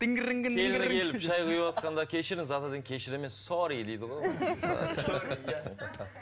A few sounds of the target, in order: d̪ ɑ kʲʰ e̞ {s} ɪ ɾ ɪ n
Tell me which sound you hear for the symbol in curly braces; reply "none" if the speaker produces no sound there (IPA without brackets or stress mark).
ʃ